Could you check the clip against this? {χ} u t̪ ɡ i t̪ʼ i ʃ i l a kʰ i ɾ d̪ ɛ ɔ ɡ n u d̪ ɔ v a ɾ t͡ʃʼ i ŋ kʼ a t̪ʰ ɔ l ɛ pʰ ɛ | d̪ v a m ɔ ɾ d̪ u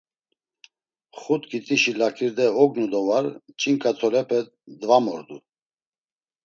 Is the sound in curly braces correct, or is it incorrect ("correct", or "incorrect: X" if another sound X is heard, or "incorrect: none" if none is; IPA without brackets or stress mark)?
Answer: correct